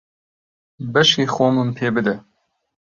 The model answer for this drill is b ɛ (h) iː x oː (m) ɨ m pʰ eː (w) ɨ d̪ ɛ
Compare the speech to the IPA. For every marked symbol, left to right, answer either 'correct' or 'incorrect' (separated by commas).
incorrect, correct, incorrect